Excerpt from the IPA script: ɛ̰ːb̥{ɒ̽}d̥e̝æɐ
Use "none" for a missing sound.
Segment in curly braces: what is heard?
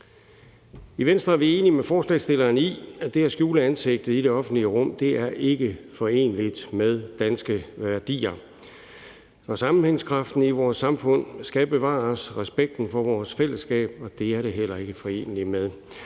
ɒ̽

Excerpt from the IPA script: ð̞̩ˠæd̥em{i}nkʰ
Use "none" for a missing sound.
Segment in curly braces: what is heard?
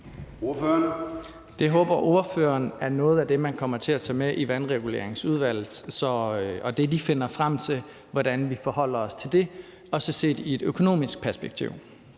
æ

